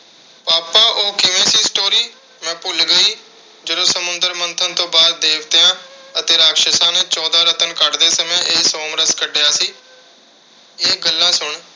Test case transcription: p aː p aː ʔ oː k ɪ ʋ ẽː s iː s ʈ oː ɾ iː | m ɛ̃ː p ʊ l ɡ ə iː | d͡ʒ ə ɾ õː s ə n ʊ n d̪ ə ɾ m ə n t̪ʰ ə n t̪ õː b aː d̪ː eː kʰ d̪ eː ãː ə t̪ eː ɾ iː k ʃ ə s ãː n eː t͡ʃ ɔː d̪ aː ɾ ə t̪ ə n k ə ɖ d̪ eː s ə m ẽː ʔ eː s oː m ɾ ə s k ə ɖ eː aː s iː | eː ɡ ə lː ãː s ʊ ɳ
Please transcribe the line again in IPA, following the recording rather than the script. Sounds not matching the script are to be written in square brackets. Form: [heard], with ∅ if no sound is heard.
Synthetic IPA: p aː p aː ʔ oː k ɪ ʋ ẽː s iː s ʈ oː ɾ iː | m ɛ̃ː p ʊ l ɡ ə iː | d͡ʒ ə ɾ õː s ə [m] ʊ n d̪ ə ɾ m ə n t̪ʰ ə n t̪ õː b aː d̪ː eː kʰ [t̪] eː ãː ə t̪ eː ɾ [aː] k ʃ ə s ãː n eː t͡ʃ ɔː d̪ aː ɾ ə t̪ ə n k ə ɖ d̪ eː s ə m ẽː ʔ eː s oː m ɾ ə s k ə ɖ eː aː s iː | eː ɡ ə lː ãː s ʊ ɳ